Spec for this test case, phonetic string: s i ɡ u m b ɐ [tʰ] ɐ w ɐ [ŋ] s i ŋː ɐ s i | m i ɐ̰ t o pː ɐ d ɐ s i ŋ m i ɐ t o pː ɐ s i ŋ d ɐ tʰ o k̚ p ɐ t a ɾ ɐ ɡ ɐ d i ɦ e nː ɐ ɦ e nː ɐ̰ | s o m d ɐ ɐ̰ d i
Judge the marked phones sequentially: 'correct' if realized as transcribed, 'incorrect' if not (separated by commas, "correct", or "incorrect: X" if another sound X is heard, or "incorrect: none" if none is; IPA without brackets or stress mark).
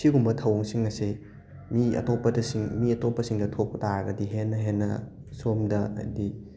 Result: correct, correct